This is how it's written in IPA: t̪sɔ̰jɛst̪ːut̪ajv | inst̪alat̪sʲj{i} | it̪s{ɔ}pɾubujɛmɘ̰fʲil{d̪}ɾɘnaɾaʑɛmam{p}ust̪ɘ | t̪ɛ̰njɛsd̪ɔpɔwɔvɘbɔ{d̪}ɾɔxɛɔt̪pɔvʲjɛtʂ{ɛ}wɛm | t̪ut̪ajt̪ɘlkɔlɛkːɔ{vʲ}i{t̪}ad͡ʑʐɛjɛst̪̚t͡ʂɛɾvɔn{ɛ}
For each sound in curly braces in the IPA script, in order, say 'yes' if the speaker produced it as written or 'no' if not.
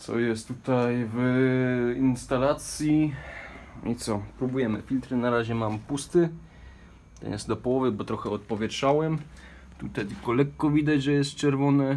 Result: yes, yes, no, yes, no, no, yes, no, yes

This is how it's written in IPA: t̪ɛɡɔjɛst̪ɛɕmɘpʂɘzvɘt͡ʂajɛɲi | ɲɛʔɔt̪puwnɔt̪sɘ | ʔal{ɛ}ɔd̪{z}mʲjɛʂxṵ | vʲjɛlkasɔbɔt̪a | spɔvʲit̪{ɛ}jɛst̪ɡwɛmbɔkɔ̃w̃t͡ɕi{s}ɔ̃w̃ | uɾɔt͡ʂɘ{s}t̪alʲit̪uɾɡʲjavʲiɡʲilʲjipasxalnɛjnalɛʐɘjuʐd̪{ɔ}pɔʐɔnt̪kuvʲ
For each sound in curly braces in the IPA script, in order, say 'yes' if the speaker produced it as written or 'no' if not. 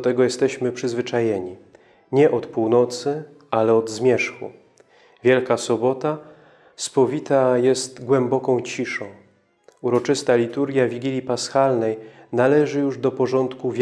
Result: yes, yes, no, no, yes, yes

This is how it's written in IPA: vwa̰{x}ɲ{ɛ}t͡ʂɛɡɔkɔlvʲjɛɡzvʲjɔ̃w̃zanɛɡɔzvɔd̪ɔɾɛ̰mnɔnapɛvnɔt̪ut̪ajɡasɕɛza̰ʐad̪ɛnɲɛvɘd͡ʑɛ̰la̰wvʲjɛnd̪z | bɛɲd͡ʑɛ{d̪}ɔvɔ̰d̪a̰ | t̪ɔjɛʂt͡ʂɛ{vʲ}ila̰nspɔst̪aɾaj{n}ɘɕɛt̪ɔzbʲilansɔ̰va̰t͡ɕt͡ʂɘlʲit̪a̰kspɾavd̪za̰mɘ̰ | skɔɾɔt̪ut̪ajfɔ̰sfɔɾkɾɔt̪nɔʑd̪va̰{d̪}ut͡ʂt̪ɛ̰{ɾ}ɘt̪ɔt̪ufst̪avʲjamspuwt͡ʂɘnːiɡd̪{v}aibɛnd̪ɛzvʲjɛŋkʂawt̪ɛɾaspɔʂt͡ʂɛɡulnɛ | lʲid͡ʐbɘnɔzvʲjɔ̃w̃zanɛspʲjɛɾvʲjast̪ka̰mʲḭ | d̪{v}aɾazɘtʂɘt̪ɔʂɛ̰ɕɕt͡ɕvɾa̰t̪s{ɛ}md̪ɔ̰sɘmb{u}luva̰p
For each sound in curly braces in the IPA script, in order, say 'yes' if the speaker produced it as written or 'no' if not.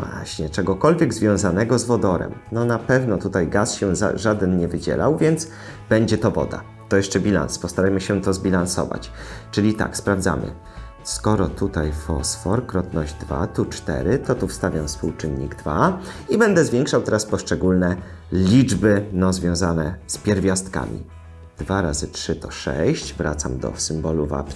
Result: no, yes, no, no, no, no, yes, yes, yes, no, no

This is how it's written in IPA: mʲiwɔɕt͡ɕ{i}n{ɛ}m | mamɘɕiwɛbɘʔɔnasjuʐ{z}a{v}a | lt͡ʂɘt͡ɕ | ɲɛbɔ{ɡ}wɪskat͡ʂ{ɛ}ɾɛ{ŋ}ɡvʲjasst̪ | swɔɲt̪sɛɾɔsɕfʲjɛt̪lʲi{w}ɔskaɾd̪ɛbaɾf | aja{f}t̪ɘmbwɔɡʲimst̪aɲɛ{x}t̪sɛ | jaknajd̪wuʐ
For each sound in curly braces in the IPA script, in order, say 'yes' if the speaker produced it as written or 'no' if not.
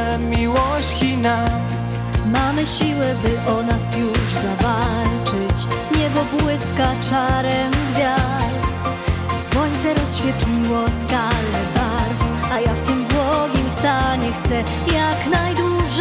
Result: yes, no, yes, yes, no, no, no, yes, yes, yes

